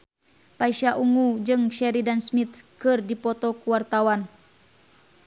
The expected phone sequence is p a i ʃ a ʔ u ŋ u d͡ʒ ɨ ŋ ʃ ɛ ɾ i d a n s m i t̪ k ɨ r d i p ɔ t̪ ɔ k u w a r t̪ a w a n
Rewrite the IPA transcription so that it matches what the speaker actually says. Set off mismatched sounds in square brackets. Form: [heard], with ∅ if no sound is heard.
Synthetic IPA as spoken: p a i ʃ a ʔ u ŋ u d͡ʒ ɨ ŋ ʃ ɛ ɾ i d a n s m i t̪ k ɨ r d i p ɔ t̪ ɔ k u w a r t̪ a w a n